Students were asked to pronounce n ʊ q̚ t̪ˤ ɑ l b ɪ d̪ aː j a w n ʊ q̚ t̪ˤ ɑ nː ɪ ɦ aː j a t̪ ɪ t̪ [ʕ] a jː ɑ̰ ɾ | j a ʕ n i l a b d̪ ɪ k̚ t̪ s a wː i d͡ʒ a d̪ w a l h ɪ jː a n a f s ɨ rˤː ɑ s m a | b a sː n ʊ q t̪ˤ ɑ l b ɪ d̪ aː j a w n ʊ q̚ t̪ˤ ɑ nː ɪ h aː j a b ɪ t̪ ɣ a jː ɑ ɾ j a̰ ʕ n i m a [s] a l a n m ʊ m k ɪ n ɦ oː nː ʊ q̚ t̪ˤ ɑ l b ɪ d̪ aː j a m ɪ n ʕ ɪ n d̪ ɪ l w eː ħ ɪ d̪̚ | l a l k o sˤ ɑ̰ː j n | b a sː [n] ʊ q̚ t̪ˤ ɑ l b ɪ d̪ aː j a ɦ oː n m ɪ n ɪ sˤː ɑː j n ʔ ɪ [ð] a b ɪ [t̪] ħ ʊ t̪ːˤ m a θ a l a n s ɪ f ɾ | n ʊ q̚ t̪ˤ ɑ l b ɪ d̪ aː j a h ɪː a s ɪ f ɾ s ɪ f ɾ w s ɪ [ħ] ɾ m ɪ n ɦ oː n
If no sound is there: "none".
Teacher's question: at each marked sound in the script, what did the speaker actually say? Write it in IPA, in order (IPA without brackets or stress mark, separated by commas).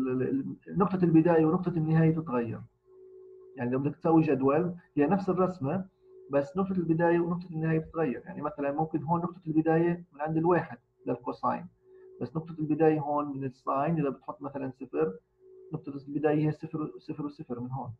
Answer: ɣ, θ, n, ð, t̪, f